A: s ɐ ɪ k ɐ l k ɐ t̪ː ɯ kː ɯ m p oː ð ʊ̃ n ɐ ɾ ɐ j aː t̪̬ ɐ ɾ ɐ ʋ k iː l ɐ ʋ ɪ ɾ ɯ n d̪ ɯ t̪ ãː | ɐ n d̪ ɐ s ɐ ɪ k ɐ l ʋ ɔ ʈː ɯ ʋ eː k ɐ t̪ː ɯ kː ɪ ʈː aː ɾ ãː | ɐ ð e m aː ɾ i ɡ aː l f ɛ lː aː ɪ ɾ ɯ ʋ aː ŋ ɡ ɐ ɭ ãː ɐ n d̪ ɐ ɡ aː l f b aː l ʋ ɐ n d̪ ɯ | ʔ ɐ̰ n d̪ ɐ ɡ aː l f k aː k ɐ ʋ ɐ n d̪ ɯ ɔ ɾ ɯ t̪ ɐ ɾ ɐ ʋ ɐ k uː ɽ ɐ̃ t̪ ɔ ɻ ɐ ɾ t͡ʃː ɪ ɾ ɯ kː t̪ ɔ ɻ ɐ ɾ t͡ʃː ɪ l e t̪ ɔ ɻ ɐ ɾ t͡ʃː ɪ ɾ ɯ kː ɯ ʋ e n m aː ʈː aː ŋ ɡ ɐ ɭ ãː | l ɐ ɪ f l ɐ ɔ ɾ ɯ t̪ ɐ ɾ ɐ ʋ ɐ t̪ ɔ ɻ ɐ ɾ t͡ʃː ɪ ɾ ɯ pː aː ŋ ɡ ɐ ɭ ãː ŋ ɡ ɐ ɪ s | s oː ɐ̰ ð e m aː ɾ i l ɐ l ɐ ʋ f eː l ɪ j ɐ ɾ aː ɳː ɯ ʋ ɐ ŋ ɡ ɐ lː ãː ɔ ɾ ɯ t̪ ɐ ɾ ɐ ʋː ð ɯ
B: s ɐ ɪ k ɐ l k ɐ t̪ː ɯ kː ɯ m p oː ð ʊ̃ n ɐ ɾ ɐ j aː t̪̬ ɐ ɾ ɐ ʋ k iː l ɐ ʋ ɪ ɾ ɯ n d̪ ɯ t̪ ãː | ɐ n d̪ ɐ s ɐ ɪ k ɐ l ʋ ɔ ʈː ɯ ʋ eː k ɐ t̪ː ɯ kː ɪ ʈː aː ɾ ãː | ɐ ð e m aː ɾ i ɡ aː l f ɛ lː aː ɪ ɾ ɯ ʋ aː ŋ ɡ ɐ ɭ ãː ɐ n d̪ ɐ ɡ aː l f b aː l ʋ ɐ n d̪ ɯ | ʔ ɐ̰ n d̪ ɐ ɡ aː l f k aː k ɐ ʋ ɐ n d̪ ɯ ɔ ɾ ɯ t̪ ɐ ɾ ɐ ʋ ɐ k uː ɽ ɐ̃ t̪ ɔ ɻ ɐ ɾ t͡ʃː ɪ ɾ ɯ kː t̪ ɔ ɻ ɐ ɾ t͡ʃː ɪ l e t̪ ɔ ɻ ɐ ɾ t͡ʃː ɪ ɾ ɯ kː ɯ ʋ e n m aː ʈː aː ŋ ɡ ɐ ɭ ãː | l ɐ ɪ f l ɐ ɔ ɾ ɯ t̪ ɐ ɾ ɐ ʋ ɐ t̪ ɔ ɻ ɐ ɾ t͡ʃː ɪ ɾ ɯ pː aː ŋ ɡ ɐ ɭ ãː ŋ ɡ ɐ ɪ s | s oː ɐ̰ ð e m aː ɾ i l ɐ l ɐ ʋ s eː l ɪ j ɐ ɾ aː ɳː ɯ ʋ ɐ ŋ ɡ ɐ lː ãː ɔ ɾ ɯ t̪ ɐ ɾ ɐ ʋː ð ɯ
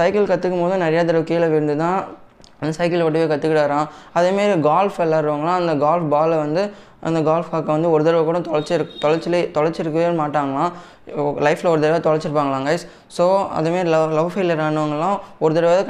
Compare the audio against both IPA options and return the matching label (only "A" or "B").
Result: A